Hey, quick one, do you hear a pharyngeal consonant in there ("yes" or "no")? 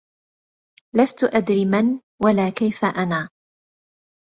no